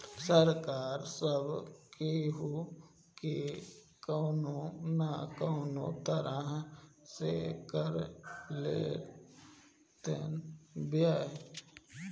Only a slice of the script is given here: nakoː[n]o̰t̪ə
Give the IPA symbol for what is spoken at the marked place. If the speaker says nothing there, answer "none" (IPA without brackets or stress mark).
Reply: n